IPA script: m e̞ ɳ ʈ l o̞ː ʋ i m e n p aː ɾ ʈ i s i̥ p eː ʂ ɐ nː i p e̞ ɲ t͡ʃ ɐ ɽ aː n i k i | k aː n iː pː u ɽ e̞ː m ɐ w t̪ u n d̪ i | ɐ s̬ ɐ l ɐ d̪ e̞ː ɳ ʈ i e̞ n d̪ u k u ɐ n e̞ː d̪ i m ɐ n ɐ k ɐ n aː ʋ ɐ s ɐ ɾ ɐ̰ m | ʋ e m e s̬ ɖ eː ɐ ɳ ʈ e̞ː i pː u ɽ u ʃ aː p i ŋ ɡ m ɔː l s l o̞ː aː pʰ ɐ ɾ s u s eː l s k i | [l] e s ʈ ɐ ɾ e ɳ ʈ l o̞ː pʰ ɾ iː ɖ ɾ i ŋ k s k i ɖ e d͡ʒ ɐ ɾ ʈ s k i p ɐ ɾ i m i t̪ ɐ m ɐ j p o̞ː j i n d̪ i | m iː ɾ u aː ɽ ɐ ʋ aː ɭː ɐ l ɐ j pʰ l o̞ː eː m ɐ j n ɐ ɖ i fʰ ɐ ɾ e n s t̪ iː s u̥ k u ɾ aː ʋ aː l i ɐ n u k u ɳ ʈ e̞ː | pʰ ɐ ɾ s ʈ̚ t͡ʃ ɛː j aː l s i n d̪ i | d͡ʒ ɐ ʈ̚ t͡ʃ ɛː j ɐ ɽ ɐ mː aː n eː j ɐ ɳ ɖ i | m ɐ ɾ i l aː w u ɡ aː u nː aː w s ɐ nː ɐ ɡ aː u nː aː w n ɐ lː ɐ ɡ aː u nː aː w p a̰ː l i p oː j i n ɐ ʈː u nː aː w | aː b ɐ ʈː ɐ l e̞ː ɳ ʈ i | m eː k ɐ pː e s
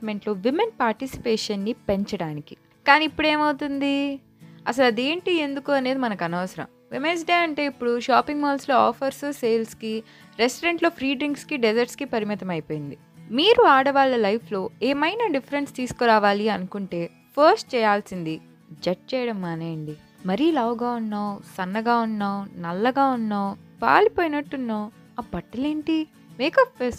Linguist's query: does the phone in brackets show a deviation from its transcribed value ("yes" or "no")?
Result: yes